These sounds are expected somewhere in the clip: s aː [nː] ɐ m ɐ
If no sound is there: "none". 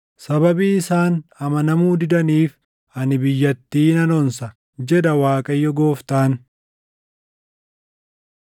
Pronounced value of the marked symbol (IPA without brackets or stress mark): n